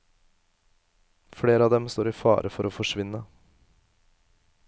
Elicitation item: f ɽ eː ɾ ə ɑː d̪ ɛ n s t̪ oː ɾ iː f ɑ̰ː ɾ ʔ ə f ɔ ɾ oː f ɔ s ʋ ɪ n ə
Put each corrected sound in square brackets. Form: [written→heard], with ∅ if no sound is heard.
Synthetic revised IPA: f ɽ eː ɾ ə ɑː d̪ ɛ [n→m] s t̪ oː ɾ iː f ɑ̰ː ɾ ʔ ə f ɔ ɾ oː f ɔ [s→ʂ] ʋ ɪ n ə